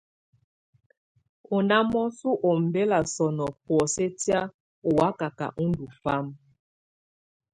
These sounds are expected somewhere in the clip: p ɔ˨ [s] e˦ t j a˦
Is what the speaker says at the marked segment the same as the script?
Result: yes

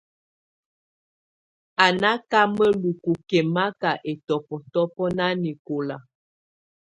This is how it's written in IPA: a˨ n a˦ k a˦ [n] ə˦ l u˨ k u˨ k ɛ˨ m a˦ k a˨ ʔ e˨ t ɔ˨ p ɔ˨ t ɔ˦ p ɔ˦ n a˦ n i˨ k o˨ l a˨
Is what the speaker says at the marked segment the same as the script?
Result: no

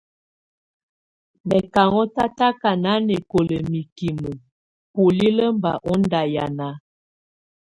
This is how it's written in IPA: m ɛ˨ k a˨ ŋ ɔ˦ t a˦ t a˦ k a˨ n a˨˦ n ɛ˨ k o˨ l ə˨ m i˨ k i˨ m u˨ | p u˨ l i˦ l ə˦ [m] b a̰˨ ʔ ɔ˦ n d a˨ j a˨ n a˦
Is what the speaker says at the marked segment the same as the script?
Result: yes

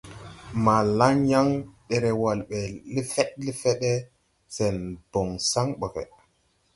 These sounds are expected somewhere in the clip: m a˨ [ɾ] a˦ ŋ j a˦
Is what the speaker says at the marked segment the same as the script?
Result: no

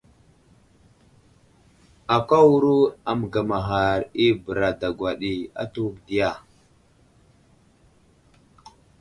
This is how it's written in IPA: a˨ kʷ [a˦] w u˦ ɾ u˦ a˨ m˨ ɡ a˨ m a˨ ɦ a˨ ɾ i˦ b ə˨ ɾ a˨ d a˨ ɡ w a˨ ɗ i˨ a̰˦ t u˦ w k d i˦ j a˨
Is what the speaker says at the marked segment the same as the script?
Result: yes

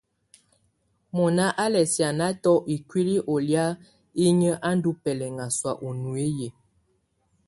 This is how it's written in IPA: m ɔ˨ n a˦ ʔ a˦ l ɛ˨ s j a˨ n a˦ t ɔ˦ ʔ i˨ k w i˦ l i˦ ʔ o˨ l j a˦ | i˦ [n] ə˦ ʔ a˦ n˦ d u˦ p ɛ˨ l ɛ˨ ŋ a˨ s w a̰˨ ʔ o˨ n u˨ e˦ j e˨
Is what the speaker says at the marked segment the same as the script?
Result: no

